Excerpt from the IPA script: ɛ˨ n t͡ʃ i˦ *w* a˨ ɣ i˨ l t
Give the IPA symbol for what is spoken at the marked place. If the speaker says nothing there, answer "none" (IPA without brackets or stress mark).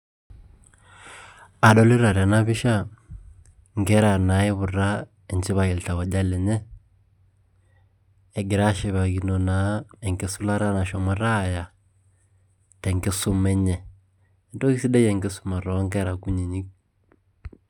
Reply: β